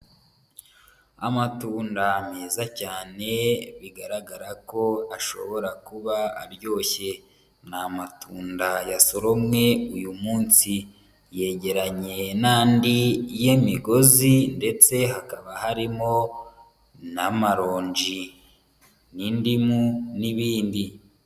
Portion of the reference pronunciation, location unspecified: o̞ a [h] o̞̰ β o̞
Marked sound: incorrect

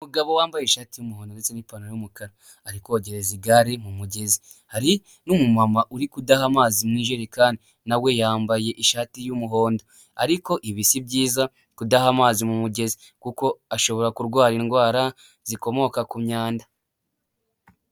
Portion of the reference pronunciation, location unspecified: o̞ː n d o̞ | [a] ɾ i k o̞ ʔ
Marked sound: correct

